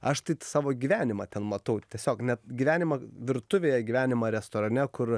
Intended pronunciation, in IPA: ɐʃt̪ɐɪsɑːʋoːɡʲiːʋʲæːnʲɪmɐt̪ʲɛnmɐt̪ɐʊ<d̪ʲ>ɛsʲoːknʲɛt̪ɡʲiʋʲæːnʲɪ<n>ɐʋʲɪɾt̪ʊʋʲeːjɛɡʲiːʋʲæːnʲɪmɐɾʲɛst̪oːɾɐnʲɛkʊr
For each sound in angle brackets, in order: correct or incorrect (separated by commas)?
incorrect, incorrect